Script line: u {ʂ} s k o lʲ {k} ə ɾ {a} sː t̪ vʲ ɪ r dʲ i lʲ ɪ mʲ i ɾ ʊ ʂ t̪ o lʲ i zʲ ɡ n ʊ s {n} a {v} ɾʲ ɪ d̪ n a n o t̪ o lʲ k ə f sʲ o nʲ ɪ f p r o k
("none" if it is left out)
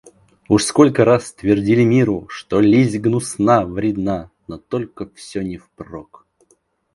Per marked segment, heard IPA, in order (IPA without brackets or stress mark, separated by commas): ʂ, k, a, n, v